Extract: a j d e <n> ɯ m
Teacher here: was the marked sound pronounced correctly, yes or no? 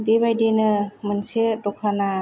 yes